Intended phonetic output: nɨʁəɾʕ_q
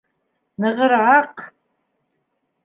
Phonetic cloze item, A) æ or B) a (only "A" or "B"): B